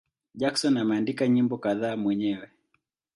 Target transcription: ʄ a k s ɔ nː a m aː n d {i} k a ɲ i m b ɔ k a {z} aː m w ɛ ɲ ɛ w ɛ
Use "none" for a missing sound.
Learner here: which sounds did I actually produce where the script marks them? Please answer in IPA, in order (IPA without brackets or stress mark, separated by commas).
i, ð